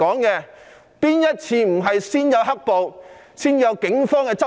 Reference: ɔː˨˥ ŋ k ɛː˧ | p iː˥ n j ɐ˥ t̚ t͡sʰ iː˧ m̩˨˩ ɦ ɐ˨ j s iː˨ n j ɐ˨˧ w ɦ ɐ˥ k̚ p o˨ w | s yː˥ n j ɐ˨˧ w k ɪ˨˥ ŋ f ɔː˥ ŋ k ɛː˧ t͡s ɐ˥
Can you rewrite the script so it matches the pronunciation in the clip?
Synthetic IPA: ɔː˨˥ ŋ k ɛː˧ | p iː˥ n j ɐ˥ t̚ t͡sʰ iː˧ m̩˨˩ ɦ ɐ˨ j s iː˥ n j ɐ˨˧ w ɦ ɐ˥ k̚ p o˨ w | s iː˥ n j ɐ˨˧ w k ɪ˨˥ ŋ f ɔː˥ ŋ k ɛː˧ t͡s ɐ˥